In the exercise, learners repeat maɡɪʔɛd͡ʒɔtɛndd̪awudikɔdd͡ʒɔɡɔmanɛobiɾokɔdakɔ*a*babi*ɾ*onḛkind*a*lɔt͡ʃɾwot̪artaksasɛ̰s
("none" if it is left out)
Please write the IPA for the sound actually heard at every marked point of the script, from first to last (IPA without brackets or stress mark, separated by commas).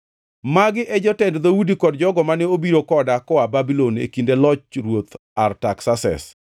a, l, e